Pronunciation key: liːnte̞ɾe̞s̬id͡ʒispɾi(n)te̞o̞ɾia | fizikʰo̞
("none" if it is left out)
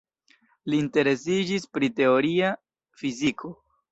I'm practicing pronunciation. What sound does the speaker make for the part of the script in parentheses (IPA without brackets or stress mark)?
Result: none